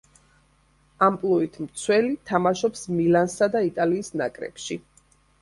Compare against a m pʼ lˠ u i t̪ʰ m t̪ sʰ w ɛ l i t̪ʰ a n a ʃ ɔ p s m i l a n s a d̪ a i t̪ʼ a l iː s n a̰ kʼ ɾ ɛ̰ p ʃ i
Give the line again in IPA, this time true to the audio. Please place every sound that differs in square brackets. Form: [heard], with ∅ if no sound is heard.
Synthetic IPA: a m pʼ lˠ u i t̪ʰ m t̪ sʰ w ɛ l i t̪ʰ a [m] a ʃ ɔ p s m i l a n s a d̪ a i t̪ʼ a l iː s n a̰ kʼ ɾ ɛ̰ p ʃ i